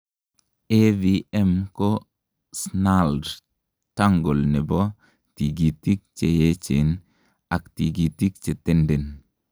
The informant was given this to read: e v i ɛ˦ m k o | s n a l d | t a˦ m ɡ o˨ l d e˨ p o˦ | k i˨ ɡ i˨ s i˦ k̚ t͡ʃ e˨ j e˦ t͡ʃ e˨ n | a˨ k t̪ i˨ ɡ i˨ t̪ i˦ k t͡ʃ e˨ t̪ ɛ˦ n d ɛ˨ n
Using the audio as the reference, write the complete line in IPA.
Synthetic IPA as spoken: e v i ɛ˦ m k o | s n a l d | t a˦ ŋ ɡ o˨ l n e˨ b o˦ | t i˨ ɡ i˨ t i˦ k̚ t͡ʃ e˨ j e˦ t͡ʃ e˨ n | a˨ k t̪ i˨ ɡ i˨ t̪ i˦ k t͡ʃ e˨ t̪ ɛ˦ n d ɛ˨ n